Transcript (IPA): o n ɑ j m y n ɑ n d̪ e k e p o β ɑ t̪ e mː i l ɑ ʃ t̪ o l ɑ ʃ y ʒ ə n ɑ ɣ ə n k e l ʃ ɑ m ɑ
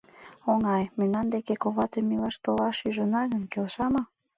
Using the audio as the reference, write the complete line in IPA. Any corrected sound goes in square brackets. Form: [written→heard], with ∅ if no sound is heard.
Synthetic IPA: o [n→ŋ] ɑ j m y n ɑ n d̪ e k e [p→k] o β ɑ t̪ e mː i l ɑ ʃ t̪ o l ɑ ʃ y ʒ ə n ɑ ɣ ə n k e l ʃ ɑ m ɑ